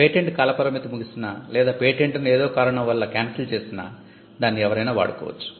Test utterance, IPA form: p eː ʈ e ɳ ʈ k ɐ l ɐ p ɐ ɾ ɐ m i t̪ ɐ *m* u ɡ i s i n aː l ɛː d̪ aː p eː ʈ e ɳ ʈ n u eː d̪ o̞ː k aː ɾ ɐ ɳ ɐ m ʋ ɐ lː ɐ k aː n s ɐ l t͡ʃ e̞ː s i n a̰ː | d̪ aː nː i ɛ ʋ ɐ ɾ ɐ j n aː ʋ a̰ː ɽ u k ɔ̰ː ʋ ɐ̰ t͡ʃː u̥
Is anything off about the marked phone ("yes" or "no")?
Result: no